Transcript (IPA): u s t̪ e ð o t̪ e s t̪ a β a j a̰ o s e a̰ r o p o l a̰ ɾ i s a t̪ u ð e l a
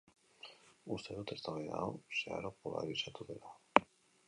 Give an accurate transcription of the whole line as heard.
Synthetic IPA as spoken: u s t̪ e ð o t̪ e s t̪ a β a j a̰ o s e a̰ ɾ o p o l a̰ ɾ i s a t̪ u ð e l a